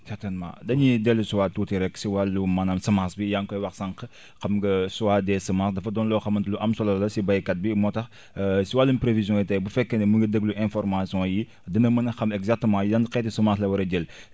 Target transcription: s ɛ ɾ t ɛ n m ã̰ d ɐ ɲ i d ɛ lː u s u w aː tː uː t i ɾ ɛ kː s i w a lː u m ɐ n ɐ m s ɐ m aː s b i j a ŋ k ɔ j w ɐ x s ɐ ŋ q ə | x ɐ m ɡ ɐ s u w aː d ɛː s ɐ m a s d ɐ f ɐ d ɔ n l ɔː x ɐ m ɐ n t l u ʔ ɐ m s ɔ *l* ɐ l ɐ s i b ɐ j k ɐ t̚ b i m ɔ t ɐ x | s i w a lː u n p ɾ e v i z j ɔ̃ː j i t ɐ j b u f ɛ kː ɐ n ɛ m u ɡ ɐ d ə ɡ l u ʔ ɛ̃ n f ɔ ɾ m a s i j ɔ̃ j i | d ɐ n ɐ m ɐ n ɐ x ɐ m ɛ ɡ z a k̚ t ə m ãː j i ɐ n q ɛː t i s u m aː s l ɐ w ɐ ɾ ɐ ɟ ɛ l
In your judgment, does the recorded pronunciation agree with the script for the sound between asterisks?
yes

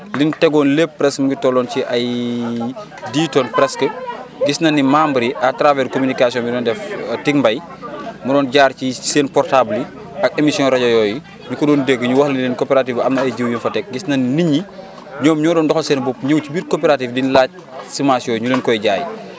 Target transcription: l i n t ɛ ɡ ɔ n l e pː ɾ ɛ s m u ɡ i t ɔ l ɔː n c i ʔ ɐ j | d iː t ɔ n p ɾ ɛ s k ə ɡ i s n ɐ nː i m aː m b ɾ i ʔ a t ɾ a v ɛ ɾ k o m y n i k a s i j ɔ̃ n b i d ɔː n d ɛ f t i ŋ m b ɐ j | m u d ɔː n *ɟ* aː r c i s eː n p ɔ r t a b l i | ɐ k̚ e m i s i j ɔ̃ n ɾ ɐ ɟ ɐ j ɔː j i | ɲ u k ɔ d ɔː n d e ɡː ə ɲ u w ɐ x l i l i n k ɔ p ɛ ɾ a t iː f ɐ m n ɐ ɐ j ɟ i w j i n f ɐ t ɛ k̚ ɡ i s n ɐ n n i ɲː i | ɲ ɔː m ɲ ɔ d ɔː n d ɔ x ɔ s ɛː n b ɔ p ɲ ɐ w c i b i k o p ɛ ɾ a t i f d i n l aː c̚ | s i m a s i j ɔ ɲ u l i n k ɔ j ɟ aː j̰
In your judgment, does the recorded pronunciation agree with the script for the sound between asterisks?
yes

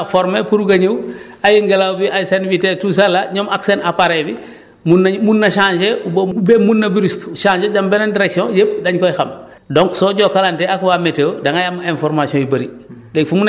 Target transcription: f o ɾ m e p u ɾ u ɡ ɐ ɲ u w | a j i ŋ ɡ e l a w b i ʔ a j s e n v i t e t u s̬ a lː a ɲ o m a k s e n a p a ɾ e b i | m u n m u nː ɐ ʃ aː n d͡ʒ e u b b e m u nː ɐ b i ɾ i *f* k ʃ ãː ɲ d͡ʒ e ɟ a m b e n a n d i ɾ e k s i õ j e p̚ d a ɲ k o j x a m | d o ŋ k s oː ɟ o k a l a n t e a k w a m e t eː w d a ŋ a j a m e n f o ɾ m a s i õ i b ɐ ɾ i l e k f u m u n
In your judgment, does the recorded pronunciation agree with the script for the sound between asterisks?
no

